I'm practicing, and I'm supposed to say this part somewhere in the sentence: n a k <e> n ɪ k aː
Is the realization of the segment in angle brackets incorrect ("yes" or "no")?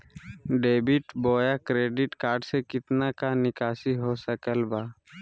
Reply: yes